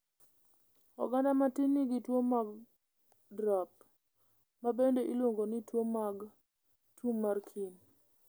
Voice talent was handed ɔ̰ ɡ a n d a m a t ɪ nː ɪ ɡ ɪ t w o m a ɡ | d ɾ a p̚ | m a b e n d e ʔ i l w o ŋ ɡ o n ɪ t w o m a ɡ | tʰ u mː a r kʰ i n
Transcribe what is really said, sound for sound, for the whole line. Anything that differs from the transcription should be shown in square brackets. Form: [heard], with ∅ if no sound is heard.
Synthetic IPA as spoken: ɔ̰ ɡ a n d a m a t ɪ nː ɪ ɡ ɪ t w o m a ɡ | d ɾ a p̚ | m a b e n d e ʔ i l w o ŋ ɡ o n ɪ t w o m a ɡ | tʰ u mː a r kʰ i n